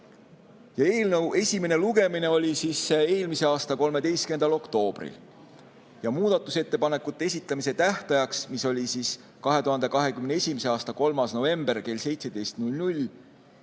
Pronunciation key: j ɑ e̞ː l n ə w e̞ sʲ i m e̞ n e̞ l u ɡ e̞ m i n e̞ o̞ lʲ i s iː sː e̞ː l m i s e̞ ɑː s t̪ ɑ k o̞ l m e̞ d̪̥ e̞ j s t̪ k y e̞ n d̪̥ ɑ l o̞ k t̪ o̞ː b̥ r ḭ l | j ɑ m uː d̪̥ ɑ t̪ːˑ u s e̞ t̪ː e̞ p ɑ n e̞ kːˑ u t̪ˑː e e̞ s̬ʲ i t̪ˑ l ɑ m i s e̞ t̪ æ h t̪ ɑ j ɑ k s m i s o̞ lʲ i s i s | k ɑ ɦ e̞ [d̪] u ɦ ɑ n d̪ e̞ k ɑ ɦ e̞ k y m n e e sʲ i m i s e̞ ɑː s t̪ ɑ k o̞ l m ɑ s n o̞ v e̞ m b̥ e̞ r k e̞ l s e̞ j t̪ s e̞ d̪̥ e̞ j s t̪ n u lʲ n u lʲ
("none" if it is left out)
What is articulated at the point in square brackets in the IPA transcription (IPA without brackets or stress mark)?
t̪